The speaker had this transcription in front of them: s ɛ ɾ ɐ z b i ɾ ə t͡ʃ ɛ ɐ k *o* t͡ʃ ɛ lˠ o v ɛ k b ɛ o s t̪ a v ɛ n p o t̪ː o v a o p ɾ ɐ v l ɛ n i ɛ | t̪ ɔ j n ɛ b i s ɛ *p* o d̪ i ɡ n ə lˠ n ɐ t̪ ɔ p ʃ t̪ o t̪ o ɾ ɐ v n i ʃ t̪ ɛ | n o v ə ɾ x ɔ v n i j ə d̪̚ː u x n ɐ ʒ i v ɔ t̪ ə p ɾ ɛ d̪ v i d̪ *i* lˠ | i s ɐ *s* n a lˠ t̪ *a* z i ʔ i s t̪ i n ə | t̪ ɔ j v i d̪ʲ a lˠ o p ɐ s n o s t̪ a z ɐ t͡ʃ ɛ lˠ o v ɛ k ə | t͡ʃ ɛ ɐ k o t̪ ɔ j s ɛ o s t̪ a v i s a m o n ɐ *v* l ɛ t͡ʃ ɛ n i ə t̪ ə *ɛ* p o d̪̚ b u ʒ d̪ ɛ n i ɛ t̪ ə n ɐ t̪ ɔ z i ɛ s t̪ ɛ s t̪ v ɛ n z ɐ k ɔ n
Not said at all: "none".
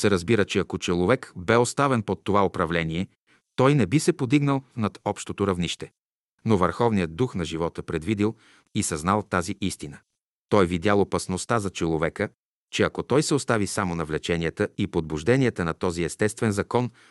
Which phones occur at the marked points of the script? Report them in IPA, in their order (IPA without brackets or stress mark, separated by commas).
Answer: o, p, i, z, a, v, i